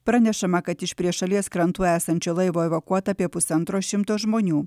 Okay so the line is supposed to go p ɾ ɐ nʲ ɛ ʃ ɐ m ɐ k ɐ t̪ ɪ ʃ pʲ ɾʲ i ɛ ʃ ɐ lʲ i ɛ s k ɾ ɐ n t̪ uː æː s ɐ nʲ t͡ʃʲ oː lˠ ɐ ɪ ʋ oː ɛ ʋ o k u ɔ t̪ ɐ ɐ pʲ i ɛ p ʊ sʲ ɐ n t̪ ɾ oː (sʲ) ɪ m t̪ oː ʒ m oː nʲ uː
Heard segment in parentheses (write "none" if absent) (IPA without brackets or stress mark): ʃʲ